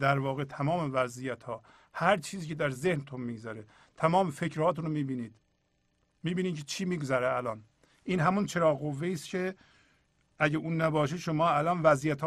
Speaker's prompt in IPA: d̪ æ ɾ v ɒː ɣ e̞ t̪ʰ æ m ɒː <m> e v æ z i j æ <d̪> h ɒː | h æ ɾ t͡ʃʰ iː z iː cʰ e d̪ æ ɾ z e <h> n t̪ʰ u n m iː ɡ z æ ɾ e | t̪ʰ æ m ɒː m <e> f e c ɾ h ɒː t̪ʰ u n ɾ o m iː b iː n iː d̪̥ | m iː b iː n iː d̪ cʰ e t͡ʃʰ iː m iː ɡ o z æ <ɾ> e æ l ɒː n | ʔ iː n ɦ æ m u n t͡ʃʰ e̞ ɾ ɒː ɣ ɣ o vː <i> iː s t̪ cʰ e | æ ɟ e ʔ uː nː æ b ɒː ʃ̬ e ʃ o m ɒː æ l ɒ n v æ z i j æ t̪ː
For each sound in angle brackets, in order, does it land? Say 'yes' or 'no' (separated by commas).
yes, no, yes, yes, yes, no